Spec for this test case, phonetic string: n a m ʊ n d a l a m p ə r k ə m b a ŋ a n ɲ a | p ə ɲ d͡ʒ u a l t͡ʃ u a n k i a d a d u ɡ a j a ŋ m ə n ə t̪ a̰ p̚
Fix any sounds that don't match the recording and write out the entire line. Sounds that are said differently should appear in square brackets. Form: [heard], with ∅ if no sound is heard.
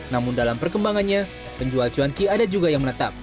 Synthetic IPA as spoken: n a m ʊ n d a l a m p ə r k ə m b a ŋ a n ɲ a | p ə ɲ d͡ʒ u a l t͡ʃ u a n k i a d a [d͡ʒ] u ɡ a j a ŋ m ə n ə t̪ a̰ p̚